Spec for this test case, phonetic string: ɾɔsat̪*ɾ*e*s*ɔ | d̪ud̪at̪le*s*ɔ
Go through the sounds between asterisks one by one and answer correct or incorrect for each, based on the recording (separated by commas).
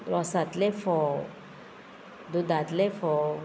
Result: incorrect, incorrect, incorrect